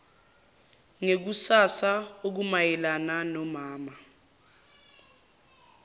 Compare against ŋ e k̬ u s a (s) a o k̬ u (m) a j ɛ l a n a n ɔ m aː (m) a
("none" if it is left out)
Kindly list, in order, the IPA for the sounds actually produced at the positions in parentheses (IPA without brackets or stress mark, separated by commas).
s, m, m